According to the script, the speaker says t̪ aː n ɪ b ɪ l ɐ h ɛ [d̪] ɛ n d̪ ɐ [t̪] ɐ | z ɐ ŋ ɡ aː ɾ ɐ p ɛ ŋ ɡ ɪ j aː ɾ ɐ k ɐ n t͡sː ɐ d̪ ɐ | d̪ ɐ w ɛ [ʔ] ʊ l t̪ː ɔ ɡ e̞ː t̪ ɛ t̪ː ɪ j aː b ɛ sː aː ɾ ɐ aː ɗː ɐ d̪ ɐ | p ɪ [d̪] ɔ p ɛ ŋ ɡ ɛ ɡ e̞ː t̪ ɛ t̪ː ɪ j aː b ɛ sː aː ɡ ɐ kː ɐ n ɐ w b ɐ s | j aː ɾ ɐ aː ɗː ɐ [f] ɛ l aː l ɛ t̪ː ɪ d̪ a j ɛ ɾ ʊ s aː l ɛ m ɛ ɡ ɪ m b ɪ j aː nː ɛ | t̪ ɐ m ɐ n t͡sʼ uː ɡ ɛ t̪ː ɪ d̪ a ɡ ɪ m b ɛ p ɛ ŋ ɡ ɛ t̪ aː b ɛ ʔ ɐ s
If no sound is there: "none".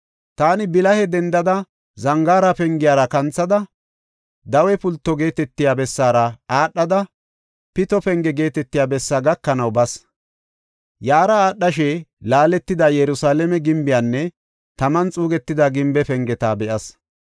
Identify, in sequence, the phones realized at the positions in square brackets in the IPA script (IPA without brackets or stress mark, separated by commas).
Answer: d̪, d̪, p, t̪, ʃ